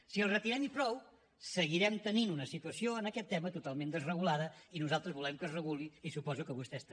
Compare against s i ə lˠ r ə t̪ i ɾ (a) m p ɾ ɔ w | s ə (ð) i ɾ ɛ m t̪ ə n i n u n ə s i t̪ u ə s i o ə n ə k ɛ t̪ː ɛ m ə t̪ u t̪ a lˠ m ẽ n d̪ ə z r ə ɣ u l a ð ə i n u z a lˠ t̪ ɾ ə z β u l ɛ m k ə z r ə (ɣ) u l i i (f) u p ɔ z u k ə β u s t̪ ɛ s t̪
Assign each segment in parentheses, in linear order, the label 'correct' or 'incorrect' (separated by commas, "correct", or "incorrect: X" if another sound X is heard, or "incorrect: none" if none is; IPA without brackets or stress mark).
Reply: incorrect: ɛ, incorrect: ɣ, correct, incorrect: s